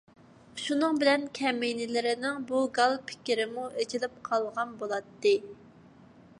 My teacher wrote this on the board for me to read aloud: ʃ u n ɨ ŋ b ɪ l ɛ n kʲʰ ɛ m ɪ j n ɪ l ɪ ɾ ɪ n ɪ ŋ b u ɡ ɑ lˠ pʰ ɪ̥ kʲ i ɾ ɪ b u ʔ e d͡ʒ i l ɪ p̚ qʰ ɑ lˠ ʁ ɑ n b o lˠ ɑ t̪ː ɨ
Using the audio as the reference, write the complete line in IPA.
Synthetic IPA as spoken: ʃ u n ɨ ŋ b ɪ l ɛ n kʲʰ ɛ m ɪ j n ɪ l ɪ ɾ ɪ n ɪ ŋ b u ɡ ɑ lˠ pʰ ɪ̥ kʲ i ɾ ɪ m u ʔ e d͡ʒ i l ɪ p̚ qʰ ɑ lˠ ʁ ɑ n b o lˠ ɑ t̪ː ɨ